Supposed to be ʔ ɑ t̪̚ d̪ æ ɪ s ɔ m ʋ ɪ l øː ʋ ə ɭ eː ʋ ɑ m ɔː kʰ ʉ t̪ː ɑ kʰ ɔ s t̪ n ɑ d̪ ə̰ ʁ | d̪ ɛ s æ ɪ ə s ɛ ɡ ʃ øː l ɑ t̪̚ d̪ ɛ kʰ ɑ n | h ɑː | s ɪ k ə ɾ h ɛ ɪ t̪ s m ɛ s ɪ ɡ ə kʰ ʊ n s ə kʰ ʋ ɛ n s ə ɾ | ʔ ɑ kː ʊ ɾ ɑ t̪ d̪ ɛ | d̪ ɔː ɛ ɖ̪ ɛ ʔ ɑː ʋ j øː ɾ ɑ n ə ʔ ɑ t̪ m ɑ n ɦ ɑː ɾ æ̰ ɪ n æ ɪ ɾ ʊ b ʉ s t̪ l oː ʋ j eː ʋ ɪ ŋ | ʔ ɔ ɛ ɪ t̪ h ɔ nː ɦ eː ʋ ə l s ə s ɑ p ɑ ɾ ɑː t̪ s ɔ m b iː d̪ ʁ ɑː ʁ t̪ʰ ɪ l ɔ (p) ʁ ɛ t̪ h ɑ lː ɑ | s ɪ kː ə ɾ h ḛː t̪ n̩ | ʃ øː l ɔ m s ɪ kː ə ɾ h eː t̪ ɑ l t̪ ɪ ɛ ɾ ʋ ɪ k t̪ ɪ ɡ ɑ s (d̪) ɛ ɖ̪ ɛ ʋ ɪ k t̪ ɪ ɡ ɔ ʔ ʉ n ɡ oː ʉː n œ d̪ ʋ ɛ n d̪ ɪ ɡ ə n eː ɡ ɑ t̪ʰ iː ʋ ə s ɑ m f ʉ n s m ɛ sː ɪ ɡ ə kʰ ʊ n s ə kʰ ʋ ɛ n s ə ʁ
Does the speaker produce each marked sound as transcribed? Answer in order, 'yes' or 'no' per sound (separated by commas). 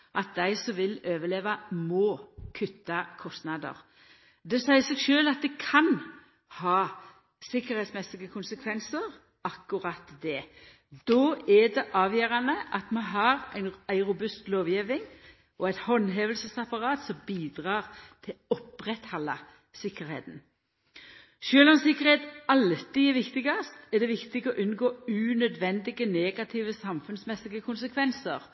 yes, no